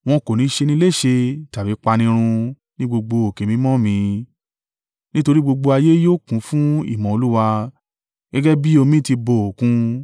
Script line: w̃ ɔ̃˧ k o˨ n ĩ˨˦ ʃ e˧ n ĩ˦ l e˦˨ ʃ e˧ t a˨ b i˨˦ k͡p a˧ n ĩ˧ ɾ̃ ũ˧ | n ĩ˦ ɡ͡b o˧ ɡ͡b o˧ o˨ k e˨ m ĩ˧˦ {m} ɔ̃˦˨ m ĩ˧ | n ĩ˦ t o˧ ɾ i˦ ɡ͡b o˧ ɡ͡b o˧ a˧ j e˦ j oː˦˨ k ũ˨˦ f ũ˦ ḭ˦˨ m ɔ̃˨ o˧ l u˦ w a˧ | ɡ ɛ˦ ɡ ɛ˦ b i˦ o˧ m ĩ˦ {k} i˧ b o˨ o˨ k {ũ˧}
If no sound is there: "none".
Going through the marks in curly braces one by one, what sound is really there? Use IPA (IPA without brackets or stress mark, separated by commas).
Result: m, t, ũ˧